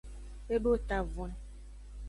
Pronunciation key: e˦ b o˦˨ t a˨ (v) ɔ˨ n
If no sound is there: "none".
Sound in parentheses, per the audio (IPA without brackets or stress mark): v